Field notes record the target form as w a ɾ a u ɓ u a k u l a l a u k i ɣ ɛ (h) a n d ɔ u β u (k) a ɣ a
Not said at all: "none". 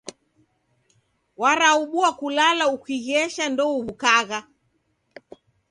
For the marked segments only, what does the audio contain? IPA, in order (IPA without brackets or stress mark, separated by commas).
ʃ, k